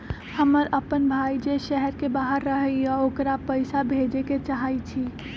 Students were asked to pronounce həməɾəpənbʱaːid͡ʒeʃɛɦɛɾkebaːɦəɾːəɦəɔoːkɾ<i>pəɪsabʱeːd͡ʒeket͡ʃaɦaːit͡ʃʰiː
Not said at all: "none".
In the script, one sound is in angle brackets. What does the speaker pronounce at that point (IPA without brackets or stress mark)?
a